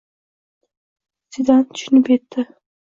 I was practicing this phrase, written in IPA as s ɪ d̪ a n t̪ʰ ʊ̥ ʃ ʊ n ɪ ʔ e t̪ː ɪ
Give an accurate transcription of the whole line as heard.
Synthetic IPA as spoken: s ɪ d̪ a n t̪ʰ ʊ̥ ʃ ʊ n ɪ p e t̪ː ɪ

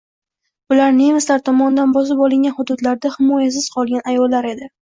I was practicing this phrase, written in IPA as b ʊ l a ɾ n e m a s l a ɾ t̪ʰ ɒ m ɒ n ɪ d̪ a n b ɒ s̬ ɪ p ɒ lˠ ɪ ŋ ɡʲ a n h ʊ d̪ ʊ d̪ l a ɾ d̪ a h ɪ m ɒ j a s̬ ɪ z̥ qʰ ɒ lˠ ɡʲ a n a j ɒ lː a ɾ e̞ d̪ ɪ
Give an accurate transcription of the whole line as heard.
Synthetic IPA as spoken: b ʊ l a ɾ n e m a s l a ɾ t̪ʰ ɒ m ɒ n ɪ d̪ a n b ɒ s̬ ɪ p ɒ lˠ ɪ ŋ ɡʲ a n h ʊ d̪ ʊ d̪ l a ɾ d̪ a h ɪ m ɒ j a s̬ ɪ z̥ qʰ ɒ lˠ ɡʲ a n a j ɒ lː a ɾ e̞ d̪ ɪ

